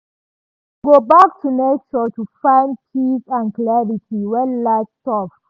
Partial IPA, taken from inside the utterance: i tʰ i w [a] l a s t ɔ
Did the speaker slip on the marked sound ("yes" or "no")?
yes